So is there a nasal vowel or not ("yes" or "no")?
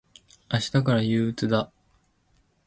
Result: no